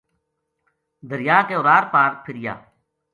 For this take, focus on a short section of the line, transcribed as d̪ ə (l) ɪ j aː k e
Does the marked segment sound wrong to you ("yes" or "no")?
yes